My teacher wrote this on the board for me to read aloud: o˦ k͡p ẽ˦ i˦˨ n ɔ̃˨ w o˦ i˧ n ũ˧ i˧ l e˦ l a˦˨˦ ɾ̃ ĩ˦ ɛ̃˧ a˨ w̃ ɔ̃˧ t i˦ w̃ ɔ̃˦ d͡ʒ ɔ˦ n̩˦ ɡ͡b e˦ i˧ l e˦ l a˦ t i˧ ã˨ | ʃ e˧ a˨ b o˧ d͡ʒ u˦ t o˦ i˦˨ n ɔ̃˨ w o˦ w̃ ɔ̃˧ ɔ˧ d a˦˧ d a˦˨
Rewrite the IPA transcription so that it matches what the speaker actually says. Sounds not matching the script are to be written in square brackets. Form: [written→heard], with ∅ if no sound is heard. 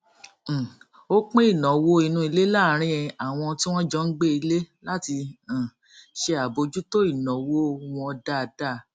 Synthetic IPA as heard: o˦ k͡p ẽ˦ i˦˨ n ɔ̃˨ w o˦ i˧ n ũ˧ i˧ l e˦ l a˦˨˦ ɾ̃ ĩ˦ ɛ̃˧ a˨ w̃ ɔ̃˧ t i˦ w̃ ɔ̃˦ d͡ʒ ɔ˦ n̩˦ ɡ͡b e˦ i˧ l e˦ l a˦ t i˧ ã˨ | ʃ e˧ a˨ b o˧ d͡ʒ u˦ t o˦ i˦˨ n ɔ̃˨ w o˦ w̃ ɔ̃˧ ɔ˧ d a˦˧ d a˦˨